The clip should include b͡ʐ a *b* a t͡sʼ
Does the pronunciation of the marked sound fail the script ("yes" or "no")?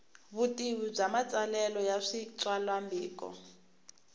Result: yes